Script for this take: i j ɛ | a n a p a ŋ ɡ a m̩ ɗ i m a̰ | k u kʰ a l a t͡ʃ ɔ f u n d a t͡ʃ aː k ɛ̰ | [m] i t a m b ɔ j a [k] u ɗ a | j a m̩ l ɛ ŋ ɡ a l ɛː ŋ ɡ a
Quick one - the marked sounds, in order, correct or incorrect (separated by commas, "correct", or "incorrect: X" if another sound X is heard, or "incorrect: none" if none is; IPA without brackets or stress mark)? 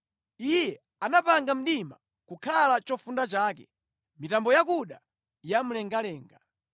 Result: correct, correct